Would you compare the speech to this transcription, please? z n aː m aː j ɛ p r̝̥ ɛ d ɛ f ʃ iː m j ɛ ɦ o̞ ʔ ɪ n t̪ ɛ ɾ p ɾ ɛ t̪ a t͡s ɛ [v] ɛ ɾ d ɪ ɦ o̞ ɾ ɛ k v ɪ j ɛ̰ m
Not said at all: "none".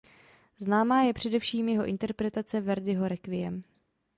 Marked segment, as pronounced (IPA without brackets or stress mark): v